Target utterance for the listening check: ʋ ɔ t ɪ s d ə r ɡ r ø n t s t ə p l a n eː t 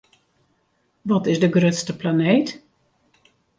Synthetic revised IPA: ʋ ɔ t ɪ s d ə ɡ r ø t s t ə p l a n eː t